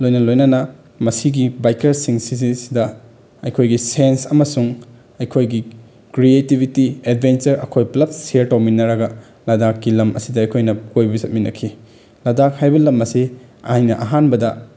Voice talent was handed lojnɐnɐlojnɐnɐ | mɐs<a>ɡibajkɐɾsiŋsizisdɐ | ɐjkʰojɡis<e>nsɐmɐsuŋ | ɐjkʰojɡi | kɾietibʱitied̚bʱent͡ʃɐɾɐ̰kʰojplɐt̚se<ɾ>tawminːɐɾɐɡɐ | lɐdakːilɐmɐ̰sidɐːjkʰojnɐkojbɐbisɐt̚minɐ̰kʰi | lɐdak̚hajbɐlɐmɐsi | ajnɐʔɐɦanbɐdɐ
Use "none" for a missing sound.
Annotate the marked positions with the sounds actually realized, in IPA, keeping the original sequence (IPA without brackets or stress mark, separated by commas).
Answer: i, e, ɾ